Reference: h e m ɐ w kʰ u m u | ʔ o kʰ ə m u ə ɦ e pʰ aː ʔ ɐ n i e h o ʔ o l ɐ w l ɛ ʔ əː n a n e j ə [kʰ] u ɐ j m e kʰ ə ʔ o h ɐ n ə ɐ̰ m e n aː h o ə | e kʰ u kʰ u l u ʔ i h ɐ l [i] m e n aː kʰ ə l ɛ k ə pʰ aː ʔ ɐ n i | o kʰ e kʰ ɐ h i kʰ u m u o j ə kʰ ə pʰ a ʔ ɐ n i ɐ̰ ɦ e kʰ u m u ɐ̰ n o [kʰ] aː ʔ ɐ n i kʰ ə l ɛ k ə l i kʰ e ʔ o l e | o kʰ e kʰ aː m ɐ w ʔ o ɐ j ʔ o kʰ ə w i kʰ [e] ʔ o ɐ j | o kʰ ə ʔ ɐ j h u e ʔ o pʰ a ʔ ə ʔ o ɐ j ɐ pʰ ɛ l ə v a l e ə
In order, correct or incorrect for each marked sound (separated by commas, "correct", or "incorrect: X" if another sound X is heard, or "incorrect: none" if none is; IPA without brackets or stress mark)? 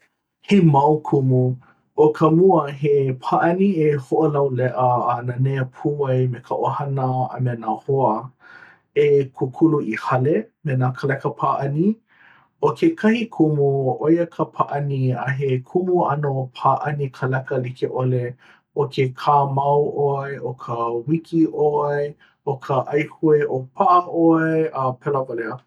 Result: incorrect: pʰ, incorrect: e, incorrect: pʰ, incorrect: i